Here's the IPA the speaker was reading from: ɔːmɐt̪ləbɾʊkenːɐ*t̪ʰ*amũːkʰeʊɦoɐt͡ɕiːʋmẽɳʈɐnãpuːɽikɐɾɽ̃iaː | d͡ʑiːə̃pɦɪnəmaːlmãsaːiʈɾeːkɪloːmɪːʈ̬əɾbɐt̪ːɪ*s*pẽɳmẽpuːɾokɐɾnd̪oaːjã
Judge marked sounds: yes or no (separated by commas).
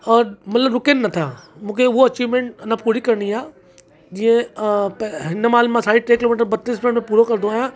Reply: yes, yes